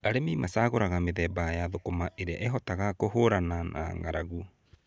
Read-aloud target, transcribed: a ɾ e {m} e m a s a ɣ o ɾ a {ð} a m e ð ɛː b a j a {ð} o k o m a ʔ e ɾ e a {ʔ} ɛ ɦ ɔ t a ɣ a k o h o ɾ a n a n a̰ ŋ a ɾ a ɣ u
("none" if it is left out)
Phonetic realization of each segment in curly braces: m, ɣ, ð, ʔ

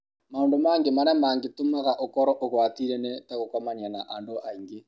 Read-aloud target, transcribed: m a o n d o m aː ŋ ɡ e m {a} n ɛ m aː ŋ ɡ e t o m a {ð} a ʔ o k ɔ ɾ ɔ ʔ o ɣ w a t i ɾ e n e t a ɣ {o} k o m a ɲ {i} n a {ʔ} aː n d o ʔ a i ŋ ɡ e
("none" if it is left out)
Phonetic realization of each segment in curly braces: a, ɣ, o, a, ʔ

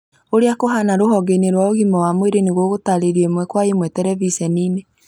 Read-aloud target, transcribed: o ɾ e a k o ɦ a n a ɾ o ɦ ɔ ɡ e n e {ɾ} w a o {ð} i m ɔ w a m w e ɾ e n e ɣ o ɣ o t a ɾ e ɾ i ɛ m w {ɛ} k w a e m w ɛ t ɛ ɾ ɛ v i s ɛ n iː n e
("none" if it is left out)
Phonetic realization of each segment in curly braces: ɾ, ɣ, ɛ

